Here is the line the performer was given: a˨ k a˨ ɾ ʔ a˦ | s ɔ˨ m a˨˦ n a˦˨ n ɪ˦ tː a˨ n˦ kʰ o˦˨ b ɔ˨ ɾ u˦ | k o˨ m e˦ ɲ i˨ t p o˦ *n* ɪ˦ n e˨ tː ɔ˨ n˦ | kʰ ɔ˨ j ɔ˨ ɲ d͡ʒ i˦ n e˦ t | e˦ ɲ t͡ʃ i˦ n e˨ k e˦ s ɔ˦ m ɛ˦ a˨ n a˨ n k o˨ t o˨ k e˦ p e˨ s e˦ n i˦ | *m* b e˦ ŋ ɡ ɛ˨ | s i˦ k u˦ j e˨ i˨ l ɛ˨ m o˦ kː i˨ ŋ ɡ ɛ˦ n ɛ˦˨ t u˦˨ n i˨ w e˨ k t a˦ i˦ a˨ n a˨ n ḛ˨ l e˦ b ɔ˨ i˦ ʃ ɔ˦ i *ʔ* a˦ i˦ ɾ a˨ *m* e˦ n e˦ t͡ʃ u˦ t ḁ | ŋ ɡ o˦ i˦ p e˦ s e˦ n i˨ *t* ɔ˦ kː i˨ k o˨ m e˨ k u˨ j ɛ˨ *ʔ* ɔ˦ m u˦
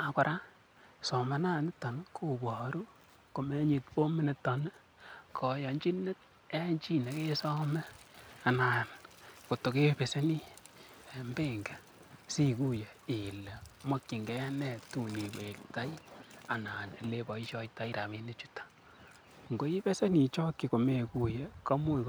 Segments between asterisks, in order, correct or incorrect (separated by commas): incorrect, correct, incorrect, correct, incorrect, incorrect